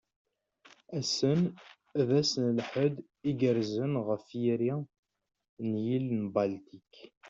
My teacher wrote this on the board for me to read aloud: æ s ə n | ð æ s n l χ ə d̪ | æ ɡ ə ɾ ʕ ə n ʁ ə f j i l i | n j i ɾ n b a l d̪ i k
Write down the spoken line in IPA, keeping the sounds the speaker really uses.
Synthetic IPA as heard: æ s ə n | ð æ s n l ħ ə d̪ | i ɡ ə ɾ z ə n ʁ ə f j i ɾ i | n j i l n b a l t̪ i k